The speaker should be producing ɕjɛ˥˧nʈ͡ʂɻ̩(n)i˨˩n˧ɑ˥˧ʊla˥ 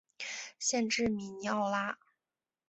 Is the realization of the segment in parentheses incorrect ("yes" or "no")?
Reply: yes